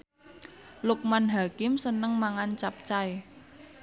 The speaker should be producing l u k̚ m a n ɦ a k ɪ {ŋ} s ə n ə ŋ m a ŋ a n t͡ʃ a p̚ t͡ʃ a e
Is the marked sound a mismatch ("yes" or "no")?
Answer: yes